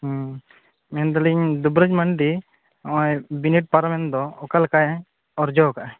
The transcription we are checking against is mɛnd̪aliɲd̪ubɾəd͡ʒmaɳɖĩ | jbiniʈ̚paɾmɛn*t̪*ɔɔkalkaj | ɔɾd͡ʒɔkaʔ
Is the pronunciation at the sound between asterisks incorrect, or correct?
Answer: incorrect